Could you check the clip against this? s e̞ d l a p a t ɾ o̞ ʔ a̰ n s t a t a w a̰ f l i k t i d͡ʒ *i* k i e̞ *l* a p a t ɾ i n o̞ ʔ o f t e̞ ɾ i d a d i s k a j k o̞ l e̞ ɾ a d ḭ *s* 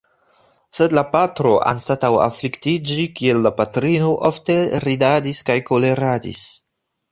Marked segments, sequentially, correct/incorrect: correct, incorrect, correct

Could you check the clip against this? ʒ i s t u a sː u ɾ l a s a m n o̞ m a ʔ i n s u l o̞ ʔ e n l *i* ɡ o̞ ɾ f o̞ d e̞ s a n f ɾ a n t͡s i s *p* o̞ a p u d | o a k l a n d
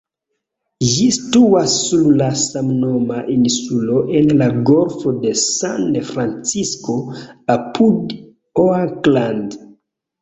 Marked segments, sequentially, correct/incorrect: incorrect, incorrect

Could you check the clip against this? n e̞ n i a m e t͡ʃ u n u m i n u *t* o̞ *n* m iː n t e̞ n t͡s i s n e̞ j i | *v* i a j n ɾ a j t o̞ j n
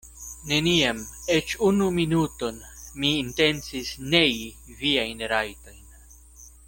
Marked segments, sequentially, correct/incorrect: correct, correct, correct

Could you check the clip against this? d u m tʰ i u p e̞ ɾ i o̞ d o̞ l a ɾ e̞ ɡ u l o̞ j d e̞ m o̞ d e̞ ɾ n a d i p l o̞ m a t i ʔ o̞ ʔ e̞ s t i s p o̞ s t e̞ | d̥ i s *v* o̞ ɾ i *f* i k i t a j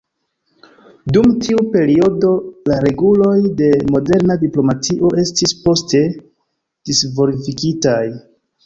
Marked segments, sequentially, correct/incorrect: correct, correct

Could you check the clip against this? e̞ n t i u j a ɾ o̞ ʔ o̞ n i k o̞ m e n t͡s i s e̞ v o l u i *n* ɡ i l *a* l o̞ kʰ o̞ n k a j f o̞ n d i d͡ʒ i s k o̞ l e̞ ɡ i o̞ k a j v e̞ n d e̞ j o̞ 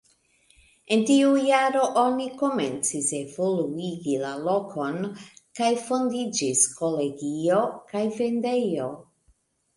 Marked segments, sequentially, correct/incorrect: incorrect, correct

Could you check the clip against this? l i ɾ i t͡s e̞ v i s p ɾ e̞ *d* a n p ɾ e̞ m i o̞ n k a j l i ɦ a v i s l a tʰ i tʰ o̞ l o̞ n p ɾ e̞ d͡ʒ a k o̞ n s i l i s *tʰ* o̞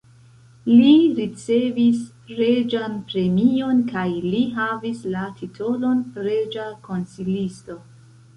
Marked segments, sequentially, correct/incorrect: incorrect, incorrect

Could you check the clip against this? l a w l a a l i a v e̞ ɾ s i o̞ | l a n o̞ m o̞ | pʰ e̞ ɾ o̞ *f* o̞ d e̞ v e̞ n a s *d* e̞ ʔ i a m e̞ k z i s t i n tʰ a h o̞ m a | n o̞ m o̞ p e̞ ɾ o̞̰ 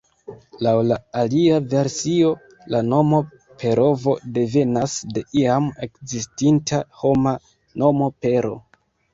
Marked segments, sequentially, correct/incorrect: incorrect, correct

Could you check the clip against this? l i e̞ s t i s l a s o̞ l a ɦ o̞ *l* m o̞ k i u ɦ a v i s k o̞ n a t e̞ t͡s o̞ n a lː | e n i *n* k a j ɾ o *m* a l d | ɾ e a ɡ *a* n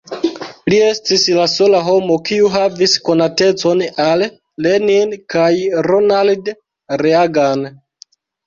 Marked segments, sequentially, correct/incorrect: incorrect, correct, incorrect, correct

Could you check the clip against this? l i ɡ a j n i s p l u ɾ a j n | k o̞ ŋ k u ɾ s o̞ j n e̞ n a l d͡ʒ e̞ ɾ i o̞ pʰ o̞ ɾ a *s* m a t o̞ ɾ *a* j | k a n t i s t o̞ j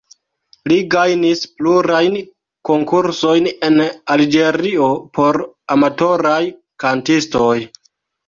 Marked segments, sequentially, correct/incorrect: incorrect, correct

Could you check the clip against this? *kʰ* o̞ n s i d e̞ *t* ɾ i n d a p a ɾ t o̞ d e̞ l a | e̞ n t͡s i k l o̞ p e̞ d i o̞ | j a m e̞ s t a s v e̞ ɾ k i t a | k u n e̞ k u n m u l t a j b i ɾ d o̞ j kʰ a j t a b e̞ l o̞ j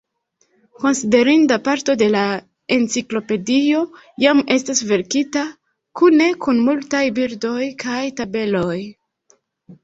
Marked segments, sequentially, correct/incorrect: incorrect, incorrect

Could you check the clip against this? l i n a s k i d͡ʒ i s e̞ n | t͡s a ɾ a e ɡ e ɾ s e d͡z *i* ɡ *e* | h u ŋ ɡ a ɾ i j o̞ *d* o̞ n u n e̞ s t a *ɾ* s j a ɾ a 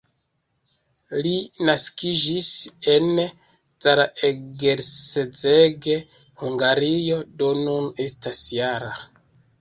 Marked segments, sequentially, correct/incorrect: incorrect, correct, correct, incorrect

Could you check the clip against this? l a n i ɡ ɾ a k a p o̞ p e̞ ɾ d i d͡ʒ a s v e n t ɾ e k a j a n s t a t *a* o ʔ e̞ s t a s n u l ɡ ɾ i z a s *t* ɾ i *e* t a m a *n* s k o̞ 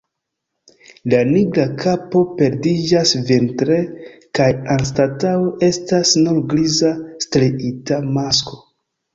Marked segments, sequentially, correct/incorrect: correct, correct, incorrect, incorrect

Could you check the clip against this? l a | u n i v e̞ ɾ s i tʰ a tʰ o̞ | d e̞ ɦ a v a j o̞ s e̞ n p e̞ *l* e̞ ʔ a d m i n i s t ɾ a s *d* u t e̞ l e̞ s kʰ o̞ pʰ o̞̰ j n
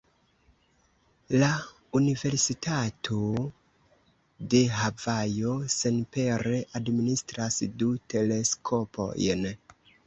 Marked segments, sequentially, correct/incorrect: incorrect, correct

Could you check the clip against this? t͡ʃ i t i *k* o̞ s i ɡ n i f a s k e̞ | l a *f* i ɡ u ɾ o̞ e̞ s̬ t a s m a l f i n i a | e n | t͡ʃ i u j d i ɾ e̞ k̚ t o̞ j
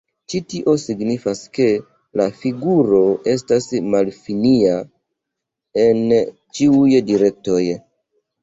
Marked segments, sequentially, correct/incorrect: incorrect, correct

